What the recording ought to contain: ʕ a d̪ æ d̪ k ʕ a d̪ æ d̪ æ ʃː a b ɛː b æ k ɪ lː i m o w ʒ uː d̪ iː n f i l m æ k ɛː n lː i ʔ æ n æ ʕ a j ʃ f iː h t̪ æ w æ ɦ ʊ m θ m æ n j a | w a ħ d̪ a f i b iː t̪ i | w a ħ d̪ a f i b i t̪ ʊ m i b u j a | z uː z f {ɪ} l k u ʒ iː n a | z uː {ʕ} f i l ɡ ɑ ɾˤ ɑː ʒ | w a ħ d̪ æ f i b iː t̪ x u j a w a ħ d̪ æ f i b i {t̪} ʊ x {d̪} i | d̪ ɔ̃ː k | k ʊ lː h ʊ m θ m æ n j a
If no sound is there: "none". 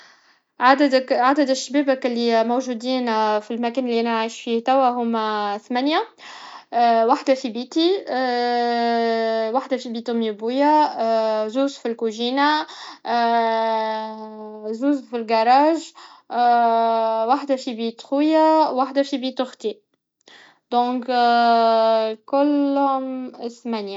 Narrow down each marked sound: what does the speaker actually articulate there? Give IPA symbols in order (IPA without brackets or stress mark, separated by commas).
i, z, t̪, t̪